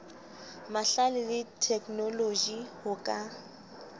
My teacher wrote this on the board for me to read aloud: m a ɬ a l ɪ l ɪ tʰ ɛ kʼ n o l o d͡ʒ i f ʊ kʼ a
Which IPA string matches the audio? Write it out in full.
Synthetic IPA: m a ɬ a l ɪ l ɪ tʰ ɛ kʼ n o l o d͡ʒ i h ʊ kʼ a